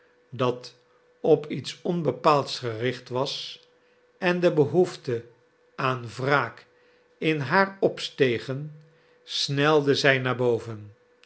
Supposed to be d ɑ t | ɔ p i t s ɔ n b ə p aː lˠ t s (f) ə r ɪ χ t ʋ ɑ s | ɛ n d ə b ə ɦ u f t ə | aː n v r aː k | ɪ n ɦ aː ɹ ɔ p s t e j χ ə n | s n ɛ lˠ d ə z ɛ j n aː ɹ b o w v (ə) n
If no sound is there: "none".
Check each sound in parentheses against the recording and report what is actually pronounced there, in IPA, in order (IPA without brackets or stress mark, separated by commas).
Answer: χ, ə